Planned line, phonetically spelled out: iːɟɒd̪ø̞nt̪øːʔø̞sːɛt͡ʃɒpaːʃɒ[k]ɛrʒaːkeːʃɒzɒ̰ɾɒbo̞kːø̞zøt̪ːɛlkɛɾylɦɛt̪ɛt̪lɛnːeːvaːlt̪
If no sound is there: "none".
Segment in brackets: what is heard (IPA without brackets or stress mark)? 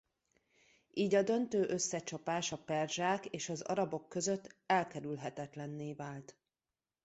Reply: p